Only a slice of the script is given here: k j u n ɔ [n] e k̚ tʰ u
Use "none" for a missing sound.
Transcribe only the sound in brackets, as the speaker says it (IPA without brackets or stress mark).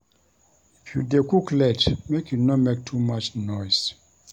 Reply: m